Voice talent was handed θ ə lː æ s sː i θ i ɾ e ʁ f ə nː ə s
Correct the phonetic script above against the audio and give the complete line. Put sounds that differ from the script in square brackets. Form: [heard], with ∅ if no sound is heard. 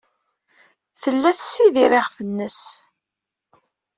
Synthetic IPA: θ ə lː æ [θ] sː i [ð] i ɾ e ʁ f ə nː ə s